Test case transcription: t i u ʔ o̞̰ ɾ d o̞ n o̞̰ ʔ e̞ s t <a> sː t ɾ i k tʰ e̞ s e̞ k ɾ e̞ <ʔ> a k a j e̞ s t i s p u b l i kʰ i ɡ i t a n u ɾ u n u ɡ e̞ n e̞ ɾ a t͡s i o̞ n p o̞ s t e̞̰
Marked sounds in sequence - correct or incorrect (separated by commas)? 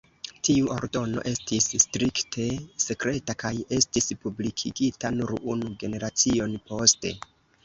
incorrect, incorrect